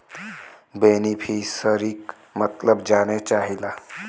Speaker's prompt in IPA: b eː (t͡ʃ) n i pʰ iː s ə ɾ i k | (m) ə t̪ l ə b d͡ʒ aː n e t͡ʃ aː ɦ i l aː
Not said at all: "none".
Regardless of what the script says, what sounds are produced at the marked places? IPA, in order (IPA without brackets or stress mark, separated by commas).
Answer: none, m